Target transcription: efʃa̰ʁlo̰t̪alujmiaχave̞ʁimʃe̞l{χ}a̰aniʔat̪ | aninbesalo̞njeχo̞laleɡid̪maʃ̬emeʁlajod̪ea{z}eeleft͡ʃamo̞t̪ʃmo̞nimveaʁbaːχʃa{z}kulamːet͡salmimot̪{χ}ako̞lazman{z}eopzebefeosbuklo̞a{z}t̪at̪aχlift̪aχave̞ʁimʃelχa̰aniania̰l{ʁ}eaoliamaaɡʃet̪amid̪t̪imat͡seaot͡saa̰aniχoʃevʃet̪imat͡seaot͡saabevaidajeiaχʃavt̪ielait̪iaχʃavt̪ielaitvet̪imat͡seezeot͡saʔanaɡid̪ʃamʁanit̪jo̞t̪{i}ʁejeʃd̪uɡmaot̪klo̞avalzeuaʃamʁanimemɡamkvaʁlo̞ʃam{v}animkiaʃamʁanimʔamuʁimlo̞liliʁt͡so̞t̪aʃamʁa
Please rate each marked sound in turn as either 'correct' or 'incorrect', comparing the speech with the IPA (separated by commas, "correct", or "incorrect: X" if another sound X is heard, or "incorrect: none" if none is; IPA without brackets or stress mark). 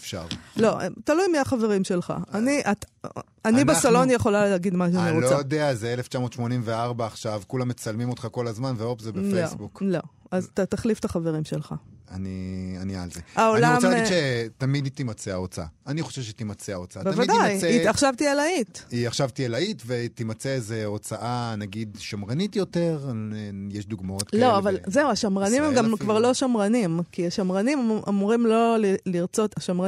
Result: correct, correct, incorrect: v, correct, incorrect: v, correct, incorrect: z, incorrect: e, incorrect: ʁ